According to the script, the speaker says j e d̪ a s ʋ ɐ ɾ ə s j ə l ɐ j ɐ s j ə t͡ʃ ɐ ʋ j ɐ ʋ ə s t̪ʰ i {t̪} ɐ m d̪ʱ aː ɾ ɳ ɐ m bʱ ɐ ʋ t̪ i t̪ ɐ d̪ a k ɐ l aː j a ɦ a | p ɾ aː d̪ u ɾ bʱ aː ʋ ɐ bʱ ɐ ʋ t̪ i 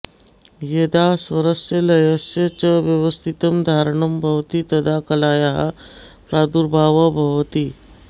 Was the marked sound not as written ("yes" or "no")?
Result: no